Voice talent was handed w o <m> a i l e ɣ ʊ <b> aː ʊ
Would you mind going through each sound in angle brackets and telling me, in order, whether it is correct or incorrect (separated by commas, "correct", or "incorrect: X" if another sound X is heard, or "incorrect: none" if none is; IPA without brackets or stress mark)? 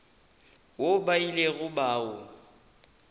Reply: incorrect: b, correct